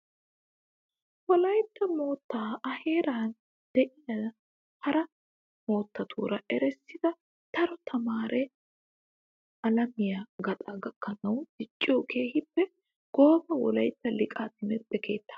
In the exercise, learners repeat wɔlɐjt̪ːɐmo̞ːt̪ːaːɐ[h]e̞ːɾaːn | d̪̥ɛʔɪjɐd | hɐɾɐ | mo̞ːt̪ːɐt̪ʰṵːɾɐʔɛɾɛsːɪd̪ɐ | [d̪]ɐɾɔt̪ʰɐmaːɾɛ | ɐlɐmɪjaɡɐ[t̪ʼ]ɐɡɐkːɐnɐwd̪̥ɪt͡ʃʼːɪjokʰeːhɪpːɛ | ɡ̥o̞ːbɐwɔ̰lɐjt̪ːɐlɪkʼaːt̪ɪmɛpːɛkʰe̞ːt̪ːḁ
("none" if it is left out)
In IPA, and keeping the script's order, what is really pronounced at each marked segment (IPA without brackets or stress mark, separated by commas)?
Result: h, t̪, t̪ʼ